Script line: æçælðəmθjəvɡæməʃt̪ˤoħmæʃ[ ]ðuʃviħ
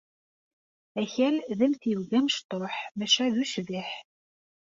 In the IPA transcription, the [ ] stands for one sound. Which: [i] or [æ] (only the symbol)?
æ